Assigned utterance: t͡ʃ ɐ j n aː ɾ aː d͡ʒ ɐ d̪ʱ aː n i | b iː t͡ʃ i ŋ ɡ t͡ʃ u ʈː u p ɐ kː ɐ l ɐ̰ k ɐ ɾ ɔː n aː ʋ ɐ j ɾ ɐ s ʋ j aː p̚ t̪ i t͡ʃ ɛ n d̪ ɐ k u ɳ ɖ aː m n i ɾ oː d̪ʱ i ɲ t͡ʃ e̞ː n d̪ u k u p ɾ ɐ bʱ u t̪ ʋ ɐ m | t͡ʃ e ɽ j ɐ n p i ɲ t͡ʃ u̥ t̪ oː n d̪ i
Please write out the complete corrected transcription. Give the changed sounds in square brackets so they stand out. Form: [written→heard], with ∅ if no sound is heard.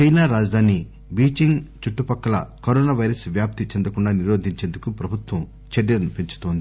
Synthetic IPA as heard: t͡ʃ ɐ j n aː ɾ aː d͡ʒ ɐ d̪ʱ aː n i | b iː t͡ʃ i ŋ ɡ t͡ʃ u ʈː u p ɐ kː ɐ l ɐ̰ k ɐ ɾ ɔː n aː ʋ ɐ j ɾ ɐ s ʋ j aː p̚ t̪ i t͡ʃ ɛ n d̪ ɐ k u ɳ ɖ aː [m→∅] n i ɾ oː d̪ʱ i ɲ t͡ʃ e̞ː n d̪ u k u p ɾ ɐ bʱ u t̪ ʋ ɐ m | t͡ʃ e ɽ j ɐ n p i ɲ t͡ʃ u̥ t̪ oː n d̪ i